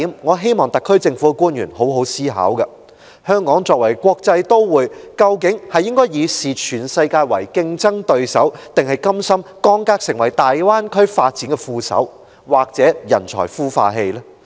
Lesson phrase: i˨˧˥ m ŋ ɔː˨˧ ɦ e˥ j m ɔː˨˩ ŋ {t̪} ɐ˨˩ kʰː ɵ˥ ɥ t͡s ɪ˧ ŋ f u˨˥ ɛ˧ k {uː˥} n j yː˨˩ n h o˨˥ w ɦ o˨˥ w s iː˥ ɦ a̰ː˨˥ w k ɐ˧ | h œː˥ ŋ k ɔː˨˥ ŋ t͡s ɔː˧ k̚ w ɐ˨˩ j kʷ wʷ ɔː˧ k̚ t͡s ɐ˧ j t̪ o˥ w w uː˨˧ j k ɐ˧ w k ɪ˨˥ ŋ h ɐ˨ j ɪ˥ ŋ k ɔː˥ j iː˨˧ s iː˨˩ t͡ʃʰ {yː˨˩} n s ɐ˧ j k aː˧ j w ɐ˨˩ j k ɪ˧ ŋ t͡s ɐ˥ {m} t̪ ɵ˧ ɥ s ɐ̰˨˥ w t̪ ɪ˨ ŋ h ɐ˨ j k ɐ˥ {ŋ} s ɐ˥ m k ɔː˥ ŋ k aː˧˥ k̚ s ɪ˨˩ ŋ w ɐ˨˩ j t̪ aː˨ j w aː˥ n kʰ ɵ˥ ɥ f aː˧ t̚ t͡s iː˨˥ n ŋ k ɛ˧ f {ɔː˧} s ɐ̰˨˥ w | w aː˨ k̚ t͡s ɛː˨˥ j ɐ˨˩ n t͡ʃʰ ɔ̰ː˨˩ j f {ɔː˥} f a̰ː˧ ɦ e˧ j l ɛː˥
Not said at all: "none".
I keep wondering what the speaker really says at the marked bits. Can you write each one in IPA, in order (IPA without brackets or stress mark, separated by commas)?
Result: t̪, uː˥, yː˨˩, ŋ, m, uː˧, uː˥